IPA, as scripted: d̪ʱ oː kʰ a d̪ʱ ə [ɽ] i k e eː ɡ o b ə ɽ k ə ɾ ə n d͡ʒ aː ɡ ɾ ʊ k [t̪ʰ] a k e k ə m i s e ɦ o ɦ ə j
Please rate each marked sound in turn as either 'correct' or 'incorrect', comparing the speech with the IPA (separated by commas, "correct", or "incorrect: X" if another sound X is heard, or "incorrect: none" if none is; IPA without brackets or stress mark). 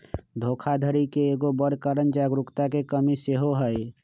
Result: incorrect: ɾ, incorrect: t̪